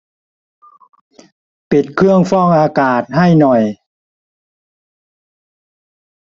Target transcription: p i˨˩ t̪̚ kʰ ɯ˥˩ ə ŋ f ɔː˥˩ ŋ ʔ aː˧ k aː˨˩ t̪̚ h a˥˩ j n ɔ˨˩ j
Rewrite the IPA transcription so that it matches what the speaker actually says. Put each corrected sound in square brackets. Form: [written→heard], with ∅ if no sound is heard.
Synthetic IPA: p i˨˩ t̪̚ kʰ ɯ˥˩ ə ŋ f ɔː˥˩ ŋ ʔ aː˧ k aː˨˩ t̪̚ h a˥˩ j n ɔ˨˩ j